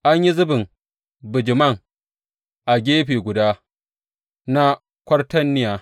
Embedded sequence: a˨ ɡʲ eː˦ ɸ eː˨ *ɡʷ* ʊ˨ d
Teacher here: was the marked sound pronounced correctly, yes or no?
yes